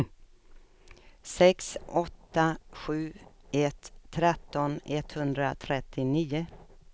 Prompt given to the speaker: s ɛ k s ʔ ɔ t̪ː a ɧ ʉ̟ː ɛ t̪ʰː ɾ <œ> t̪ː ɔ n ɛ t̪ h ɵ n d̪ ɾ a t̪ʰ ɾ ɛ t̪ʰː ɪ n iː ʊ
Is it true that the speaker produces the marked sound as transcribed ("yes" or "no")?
no